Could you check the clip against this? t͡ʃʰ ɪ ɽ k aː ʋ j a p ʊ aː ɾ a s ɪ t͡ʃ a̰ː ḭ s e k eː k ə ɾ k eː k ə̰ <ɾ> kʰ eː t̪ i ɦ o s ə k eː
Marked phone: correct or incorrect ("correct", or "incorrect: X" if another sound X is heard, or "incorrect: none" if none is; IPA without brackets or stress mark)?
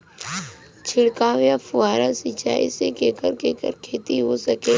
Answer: correct